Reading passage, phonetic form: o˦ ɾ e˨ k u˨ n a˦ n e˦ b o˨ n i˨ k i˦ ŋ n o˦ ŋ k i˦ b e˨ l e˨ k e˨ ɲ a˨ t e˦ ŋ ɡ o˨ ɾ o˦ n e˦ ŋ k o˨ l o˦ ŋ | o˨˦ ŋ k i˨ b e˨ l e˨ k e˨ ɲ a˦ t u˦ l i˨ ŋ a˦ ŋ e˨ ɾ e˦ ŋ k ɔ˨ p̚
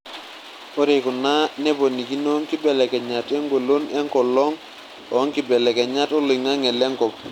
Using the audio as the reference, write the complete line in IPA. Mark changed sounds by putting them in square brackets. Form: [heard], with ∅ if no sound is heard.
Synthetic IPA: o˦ ɾ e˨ k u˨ n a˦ n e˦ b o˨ n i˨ k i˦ [∅] n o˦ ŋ k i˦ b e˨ l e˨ k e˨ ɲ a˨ t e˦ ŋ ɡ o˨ [l] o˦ n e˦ ŋ k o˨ l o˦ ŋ | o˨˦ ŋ k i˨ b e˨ l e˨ k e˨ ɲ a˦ t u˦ l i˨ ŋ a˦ ŋ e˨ [l] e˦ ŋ k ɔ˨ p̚